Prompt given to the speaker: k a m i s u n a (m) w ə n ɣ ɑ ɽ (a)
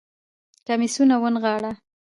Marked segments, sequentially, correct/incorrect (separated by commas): incorrect, correct